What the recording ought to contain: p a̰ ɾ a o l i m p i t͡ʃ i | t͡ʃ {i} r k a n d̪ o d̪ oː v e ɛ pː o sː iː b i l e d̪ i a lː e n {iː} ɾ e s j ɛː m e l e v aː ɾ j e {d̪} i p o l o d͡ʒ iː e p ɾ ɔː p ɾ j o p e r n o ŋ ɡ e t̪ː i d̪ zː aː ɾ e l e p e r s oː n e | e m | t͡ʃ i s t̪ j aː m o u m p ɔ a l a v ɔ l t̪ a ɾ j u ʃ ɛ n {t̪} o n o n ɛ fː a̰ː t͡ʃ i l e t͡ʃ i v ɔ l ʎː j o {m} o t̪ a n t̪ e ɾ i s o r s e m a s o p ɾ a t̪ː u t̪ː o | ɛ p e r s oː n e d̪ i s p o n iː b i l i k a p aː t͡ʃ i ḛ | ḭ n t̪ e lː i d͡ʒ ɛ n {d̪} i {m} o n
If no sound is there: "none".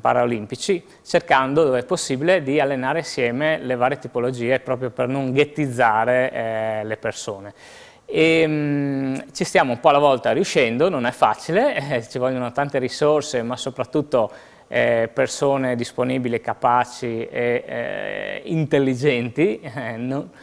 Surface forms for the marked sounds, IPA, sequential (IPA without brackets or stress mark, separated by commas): e, aː, t̪, d̪, n, t̪, n